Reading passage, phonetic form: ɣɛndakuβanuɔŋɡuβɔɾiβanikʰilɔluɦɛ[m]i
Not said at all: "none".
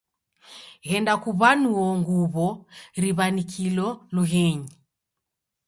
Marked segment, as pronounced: ɲ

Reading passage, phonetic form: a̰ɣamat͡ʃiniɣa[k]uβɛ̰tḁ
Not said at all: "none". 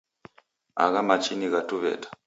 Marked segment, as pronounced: t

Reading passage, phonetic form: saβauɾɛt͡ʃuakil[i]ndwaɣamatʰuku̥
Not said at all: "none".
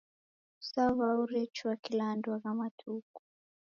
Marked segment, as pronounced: a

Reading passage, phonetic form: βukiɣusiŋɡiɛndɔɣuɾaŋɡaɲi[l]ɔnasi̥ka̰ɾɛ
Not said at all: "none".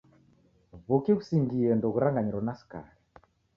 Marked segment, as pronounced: ɾ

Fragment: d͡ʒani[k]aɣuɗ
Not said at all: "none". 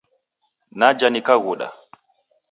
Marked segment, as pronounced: k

